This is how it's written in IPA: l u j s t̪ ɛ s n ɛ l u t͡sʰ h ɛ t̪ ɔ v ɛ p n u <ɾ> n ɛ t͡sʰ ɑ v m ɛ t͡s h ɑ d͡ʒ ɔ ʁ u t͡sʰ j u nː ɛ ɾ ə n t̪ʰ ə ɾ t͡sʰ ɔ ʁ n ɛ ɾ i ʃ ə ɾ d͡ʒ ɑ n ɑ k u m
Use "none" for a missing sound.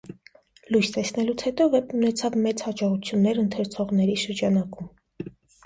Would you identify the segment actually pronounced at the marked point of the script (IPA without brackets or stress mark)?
none